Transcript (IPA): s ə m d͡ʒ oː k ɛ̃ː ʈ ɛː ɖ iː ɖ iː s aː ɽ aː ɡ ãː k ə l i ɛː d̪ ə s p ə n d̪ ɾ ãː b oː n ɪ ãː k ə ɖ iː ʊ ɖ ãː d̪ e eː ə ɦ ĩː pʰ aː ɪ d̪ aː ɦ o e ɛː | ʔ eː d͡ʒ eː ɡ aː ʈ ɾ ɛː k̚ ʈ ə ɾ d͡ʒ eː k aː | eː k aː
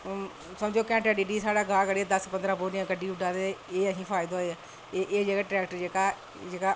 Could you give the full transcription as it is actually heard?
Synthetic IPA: s ə m d͡ʒ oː k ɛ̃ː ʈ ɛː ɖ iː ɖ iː s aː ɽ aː ɡ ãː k ə ɽ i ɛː d̪ ə s p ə n d̪ ɾ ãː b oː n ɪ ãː k ə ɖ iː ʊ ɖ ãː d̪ e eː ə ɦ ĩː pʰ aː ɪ d̪ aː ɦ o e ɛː | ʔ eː d͡ʒ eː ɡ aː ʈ ɾ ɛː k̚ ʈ ə ɾ d͡ʒ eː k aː | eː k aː